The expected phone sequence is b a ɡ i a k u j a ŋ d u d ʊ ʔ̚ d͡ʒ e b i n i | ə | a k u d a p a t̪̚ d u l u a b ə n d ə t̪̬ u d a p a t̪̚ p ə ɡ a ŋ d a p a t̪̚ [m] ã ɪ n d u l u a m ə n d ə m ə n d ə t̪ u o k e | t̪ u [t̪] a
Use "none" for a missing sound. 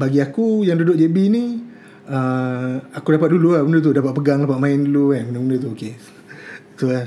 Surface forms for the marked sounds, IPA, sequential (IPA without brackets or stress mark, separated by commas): m, none